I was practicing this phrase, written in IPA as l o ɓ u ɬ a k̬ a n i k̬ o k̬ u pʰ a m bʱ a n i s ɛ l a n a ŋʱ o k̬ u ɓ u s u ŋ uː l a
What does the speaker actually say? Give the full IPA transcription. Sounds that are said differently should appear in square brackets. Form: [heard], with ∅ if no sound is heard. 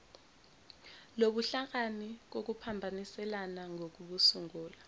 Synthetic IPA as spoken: l o ɓ u ɬ a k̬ a n i k̬ o k̬ u pʰ a m bʱ a n i s ɛ l a n a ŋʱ o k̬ u ɓ u s u ŋ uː l a

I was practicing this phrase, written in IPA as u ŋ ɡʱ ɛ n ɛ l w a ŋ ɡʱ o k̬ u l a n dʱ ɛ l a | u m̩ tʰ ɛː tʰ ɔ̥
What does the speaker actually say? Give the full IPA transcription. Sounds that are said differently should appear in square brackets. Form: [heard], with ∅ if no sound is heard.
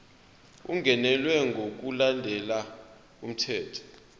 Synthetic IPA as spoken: u ŋ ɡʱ ɛ n ɛ l w [ɛ] ŋ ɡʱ o k̬ u l a n dʱ ɛ l a | u m̩ tʰ ɛː tʰ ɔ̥

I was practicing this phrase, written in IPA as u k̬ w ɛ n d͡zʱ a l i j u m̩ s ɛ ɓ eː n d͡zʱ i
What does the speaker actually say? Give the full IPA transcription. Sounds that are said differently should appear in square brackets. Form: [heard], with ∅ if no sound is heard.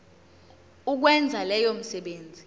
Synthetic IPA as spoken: u k̬ w ɛ n d͡zʱ a l [ɛ] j [o] m̩ s ɛ ɓ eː n d͡zʱ i

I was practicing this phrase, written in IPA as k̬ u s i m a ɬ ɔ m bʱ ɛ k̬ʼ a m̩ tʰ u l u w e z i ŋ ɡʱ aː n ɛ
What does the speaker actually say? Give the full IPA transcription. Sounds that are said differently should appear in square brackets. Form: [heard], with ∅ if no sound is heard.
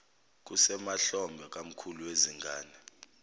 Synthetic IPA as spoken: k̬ u s [ɛ] m a ɬ ɔ m bʱ ɛ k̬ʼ a m̩ [kʰ] u l u w e z i ŋ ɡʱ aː n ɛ

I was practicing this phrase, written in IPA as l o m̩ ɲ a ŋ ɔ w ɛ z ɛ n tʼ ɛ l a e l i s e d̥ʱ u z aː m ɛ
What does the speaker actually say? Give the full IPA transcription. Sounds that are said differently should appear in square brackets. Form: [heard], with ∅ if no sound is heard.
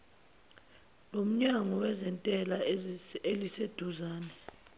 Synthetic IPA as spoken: l o m̩ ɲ a ŋ ɔ w ɛ z ɛ n tʼ ɛ l a e l i s e d̥ʱ u z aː [n] ɛ

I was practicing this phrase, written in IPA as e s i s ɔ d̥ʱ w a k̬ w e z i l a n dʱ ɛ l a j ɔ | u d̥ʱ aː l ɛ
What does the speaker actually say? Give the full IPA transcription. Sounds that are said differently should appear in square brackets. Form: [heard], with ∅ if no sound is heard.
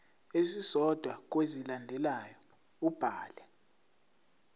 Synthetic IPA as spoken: e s i s ɔ d̥ʱ w a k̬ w e z i l a n dʱ ɛ l a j ɔ | u [b̥ʱ] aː l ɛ

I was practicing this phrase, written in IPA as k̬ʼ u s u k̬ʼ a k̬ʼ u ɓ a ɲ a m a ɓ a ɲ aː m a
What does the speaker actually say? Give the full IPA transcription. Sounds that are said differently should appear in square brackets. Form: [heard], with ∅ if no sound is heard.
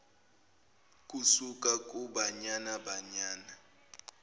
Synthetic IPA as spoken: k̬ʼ u s u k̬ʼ a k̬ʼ u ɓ a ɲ a [n] a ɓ a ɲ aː [n] a

